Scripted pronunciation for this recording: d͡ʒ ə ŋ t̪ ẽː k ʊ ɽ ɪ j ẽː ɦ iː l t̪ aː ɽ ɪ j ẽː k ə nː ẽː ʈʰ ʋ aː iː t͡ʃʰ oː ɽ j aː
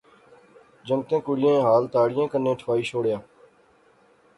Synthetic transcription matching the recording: d͡ʒ ə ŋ t̪ ẽː k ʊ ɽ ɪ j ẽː ɦ aː l t̪ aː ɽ ɪ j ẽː k ə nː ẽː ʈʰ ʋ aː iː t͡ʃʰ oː ɽ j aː